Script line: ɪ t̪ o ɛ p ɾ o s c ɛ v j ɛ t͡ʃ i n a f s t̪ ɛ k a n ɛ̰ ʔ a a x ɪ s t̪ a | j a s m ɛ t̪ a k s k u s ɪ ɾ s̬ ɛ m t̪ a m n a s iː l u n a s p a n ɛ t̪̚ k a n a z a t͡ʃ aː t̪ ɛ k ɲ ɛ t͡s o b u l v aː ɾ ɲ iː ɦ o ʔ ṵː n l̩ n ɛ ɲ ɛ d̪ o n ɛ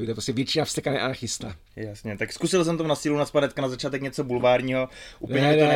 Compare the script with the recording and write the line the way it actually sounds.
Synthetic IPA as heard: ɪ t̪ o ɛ p ɾ o s c ɛ v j ɛ t͡ʃ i n a f s t̪ ɛ k a n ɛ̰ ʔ a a x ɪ s t̪ a | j a s ɲ ɛ t̪ a k s k u s ɪ l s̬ ɛ m t̪ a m n a s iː l u n a s p a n ɛ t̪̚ k a n a z a t͡ʃ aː t̪ ɛ k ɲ ɛ t͡s o b u l v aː ɾ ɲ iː ɦ o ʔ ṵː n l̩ ɲ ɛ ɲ ɛ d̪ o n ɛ